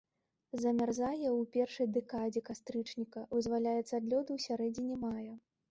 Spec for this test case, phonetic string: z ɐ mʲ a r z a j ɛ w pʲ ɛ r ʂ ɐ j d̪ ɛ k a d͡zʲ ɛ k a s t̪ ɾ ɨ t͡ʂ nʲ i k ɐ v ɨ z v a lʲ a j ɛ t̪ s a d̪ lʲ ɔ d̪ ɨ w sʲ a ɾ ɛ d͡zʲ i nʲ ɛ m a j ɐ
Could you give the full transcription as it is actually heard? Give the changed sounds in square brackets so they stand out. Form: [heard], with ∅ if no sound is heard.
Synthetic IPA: z ɐ mʲ a r z a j ɛ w pʲ ɛ r ʂ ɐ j d̪ ɛ k a d͡zʲ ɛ k a s t̪ ɾ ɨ t͡ʂ nʲ i k ɐ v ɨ z v a lʲ a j ɛ t̪ s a d̪ lʲ ɔ d̪ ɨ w sʲ a ɾ ɛ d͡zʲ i nʲ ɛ m a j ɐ